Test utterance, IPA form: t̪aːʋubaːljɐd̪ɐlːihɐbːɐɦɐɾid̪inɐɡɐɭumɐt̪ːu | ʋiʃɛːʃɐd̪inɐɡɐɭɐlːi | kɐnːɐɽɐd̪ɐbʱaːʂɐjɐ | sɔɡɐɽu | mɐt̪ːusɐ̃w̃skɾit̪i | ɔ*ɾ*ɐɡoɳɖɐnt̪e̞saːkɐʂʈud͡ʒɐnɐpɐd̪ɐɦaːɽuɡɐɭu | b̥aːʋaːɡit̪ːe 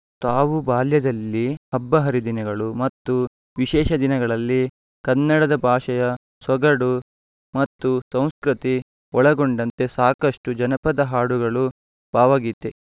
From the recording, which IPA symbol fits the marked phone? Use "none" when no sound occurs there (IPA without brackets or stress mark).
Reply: ɭ